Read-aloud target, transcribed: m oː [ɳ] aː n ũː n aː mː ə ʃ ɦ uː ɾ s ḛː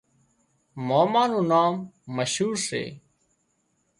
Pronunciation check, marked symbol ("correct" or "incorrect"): incorrect